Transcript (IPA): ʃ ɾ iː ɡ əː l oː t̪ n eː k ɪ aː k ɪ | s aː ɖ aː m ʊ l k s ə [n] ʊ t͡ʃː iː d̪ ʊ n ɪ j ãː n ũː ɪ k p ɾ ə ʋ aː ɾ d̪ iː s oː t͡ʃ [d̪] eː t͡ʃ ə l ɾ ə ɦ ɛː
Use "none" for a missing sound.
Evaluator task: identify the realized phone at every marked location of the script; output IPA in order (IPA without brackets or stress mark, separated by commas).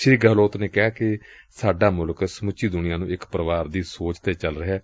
m, t̪